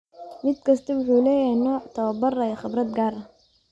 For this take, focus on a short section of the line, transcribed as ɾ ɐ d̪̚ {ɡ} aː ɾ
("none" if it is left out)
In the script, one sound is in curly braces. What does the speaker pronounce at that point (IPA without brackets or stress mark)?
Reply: ɡ